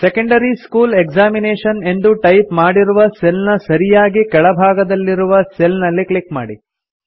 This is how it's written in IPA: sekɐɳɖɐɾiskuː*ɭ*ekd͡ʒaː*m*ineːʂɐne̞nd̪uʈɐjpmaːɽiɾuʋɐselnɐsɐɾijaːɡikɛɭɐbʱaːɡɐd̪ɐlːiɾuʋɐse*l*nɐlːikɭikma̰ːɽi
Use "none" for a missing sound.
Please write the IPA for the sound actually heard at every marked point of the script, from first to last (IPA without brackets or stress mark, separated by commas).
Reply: l, m, l